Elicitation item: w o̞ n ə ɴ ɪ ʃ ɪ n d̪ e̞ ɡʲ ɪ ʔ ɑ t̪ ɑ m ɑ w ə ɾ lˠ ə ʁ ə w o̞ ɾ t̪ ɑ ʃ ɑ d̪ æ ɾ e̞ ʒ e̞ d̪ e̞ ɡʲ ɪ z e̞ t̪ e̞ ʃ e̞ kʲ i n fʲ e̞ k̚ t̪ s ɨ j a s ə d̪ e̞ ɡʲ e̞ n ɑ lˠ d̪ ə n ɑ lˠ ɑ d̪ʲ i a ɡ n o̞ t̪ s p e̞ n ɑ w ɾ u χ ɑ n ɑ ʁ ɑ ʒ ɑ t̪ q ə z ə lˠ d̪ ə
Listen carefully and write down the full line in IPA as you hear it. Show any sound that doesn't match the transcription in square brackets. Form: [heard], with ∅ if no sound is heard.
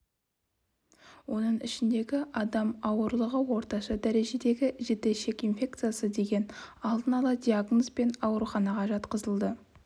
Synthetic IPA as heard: w o̞ n ə ɴ ɪ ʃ ɪ n d̪ e̞ ɡʲ ɪ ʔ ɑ [d̪] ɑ m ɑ w ə ɾ lˠ ə ʁ ə w o̞ ɾ t̪ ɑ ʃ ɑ d̪ æ ɾ e̞ ʒ e̞ d̪ e̞ ɡʲ ɪ [ʒ] e̞ t̪ e̞ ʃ e̞ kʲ i n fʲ e̞ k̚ t̪ s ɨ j a s ə d̪ e̞ ɡʲ e̞ n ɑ lˠ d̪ ə n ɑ lˠ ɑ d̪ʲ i a ɡ n o̞ [∅] s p e̞ n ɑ w ɾ u χ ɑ n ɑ ʁ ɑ ʒ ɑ t̪ q ə z ə lˠ d̪ ə